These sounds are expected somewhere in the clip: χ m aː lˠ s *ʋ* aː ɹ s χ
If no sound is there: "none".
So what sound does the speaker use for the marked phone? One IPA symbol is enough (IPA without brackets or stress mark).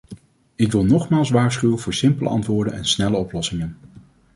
ʋ